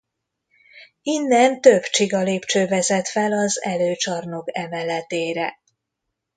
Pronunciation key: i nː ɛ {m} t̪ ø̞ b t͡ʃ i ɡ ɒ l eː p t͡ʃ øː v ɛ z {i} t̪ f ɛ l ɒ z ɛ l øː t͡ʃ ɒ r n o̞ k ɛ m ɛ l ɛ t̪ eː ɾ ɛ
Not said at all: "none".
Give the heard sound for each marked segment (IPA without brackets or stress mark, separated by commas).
n, ɛ